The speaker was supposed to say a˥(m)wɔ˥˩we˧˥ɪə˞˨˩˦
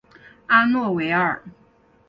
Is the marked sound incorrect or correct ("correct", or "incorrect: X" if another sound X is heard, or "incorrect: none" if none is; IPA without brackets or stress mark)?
incorrect: n